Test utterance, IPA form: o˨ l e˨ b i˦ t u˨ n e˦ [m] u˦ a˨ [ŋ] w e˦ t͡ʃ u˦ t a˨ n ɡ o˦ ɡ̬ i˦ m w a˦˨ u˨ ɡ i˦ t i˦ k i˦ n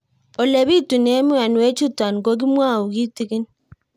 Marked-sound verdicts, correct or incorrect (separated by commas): correct, incorrect